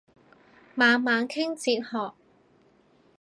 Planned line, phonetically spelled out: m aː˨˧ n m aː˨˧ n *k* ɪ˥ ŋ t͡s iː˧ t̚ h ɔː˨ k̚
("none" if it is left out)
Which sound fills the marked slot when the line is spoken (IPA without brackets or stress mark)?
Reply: kʰ